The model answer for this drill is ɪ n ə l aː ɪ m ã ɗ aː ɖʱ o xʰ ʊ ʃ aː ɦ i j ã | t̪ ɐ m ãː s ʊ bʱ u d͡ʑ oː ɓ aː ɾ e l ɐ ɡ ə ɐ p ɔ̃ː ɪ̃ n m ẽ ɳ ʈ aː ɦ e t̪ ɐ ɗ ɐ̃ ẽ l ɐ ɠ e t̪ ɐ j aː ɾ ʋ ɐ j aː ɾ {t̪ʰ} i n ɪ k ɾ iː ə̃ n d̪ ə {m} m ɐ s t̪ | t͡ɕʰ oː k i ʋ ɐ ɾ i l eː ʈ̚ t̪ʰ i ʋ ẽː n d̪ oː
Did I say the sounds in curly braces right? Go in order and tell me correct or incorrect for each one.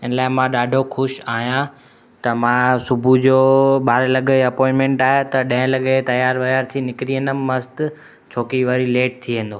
correct, correct

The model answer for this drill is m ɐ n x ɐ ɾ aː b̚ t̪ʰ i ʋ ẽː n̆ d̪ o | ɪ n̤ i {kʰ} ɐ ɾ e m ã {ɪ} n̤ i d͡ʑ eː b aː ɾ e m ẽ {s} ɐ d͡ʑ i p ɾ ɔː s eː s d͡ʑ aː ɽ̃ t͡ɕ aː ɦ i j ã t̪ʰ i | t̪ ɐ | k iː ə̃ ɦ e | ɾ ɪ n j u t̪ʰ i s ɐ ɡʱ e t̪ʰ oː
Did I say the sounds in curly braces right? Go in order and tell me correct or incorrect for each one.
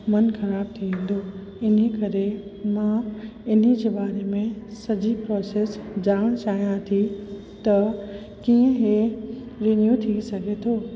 incorrect, correct, correct

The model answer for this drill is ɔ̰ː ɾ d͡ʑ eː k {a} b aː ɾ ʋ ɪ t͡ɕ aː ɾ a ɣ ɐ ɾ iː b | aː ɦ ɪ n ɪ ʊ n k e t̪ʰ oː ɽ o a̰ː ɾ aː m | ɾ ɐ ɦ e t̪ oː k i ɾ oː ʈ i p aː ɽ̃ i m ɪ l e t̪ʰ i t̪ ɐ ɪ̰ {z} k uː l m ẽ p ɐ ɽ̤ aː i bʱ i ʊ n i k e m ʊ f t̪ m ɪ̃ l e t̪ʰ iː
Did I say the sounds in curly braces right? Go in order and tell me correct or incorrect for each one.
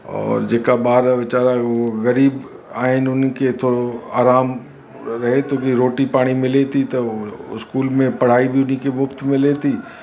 correct, incorrect

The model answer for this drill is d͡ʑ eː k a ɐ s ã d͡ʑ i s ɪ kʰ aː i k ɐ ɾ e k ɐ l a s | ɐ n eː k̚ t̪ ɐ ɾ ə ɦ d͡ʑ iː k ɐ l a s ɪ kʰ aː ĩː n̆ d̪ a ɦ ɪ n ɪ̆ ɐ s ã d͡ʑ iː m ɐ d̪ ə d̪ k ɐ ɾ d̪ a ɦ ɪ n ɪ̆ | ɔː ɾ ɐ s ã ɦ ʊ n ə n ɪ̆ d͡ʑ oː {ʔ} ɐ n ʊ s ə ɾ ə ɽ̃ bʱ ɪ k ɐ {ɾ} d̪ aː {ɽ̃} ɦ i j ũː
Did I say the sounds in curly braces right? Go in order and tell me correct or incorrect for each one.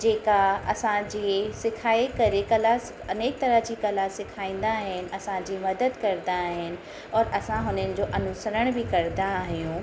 correct, correct, incorrect

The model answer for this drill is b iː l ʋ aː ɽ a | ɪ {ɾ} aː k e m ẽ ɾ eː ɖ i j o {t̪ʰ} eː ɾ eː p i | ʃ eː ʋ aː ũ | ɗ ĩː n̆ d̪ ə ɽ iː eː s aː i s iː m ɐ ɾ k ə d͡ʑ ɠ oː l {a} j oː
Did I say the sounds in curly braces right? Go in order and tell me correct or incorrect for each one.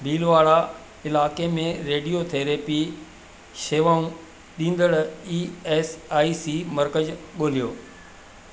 incorrect, correct, incorrect

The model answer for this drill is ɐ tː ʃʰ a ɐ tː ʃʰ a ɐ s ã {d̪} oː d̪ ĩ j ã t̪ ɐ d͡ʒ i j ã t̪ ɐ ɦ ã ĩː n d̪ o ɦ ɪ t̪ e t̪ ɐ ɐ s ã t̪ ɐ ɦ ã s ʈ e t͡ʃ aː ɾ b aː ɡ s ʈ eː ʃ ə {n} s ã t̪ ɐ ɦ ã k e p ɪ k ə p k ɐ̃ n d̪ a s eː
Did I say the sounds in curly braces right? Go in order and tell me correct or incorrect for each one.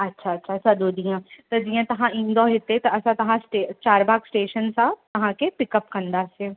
correct, correct

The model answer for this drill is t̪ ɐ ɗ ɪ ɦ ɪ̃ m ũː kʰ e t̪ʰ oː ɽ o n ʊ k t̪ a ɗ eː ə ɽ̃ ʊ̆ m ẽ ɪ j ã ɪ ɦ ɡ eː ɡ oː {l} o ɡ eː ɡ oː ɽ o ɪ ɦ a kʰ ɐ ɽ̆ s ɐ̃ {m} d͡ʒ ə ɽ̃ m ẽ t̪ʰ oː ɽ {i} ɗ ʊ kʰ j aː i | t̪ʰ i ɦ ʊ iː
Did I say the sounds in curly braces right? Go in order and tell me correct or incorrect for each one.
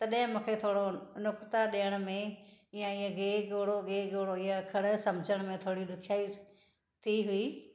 incorrect, correct, correct

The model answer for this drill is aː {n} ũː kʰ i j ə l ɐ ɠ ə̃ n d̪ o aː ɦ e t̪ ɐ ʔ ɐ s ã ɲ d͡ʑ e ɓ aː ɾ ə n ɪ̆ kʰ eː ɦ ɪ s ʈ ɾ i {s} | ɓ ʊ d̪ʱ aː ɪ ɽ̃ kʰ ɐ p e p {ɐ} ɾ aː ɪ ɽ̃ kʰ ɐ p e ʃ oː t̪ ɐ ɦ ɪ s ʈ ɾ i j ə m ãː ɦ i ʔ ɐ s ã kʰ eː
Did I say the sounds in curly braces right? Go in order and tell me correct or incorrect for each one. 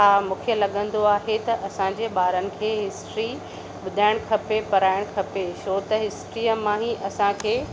incorrect, incorrect, correct

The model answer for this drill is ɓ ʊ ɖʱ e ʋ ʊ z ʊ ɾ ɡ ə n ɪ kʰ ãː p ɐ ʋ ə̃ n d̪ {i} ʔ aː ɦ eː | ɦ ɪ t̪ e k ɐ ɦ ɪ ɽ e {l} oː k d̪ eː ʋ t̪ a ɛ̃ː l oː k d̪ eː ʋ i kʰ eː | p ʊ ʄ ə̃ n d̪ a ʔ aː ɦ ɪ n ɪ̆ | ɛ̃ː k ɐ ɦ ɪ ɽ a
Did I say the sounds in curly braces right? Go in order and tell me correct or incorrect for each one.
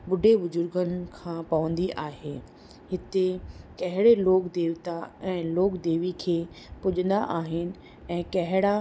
correct, correct

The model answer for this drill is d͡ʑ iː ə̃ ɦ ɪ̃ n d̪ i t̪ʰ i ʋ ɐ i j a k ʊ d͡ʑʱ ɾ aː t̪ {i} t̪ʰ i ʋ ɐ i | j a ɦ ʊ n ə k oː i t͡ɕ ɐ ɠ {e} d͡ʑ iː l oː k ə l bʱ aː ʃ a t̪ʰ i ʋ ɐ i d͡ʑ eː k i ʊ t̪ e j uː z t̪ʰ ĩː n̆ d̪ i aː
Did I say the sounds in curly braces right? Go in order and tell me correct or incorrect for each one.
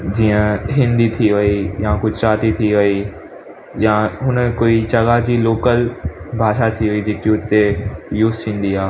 correct, incorrect

